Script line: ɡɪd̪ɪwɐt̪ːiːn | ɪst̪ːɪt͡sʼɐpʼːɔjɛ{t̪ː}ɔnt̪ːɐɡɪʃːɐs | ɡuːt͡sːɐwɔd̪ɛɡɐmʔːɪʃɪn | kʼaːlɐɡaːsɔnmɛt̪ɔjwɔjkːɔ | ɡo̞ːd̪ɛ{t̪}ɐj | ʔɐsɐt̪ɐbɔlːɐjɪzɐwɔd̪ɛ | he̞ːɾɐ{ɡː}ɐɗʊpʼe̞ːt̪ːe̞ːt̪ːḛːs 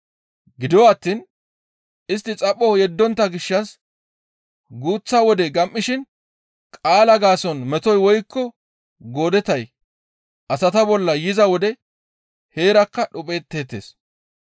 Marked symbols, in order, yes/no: no, yes, no

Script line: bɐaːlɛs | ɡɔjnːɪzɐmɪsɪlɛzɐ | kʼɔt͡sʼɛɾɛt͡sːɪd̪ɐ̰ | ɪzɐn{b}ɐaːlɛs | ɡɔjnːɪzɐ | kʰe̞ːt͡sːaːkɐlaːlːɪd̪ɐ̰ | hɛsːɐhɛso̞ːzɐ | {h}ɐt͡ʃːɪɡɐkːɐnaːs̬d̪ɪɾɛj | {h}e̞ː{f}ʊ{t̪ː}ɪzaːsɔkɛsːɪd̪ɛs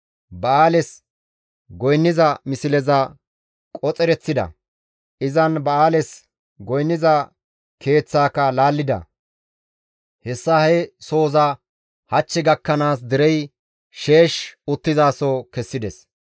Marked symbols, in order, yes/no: yes, yes, no, no, yes

